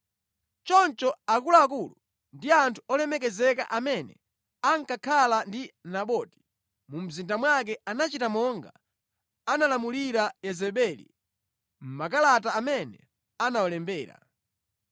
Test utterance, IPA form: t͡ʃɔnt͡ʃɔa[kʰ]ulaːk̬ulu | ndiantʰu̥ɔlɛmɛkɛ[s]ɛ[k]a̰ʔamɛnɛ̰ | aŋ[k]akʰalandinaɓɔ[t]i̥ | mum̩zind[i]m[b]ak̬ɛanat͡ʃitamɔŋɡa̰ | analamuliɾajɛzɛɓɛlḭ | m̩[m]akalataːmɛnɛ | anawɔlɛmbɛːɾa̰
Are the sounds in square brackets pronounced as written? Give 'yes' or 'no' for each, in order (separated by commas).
no, no, yes, yes, yes, no, no, yes